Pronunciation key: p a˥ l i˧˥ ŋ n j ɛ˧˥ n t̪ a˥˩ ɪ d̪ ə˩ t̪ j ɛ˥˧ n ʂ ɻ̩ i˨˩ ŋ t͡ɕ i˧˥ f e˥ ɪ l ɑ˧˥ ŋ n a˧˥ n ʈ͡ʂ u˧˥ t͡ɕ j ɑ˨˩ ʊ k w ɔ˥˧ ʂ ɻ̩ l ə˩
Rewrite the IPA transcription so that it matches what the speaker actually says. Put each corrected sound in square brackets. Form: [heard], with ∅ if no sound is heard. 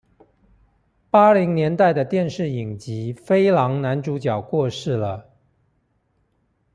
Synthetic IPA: p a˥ l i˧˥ ŋ n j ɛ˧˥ n t̪ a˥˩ ɪ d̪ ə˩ t̪ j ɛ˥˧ n ʂ ɻ̩ i˨˩ ŋ t͡ɕ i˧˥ f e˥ ɪ l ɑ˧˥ ŋ n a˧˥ n ʈ͡ʂ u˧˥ t͡ɕ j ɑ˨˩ ʊ k w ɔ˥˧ ʂ ɻ̩ l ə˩